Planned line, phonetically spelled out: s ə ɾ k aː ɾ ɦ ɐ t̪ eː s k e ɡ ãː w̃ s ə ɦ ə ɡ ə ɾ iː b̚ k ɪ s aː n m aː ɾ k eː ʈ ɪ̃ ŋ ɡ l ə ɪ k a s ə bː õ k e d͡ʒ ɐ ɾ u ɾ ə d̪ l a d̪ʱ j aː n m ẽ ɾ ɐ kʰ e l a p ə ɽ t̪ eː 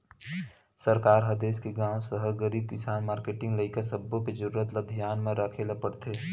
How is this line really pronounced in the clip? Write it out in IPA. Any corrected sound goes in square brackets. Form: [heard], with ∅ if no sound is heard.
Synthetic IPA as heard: s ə ɾ k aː ɾ ɦ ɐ [d̪] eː s k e ɡ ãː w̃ s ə ɦ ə ɡ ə ɾ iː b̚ k ɪ s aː n m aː ɾ k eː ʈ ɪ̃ ŋ ɡ l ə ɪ k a s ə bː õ k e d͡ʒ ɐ ɾ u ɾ ə [t̪] l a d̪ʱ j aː n m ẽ ɾ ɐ kʰ e l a p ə ɽ t̪ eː